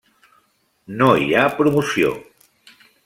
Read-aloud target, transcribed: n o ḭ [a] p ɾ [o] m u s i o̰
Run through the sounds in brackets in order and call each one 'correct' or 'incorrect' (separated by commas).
correct, incorrect